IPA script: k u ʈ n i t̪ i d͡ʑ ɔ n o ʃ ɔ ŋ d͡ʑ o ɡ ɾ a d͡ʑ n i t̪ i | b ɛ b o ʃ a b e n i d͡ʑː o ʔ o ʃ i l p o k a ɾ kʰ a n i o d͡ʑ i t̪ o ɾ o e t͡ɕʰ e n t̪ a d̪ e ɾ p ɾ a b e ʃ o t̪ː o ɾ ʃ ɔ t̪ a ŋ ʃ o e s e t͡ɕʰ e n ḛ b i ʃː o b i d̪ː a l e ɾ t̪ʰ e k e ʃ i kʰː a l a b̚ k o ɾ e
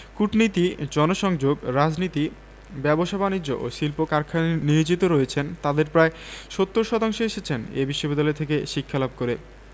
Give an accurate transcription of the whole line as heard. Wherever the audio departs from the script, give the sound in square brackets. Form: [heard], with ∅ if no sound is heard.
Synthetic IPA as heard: k u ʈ n i t̪ i d͡ʑ ɔ n o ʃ ɔ ŋ d͡ʑ o ɡ ɾ a d͡ʑ n i t̪ i | b ɛ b o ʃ a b [a] n i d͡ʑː o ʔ o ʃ i l p o k a ɾ kʰ a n i o d͡ʑ i t̪ o ɾ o e t͡ɕʰ e n t̪ a d̪ e ɾ p ɾ a [∅] e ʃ o t̪ː o ɾ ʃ ɔ t̪ a ŋ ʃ o e [ʃ] e t͡ɕʰ e n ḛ b i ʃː o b i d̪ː a l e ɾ t̪ʰ e k e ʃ i kʰː a l a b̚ k o ɾ e